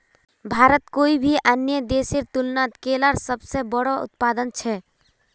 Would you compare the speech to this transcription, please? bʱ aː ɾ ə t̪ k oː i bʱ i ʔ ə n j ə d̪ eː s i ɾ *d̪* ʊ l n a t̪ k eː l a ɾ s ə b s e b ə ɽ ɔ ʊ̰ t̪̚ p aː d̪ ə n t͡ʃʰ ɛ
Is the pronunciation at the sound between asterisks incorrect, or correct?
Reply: incorrect